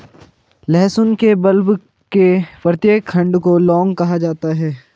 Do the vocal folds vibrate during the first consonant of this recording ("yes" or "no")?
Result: yes